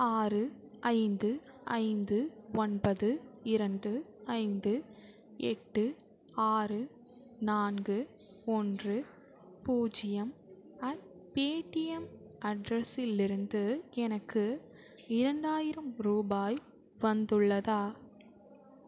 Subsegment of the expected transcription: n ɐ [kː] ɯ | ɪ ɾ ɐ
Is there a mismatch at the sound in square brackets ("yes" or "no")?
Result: no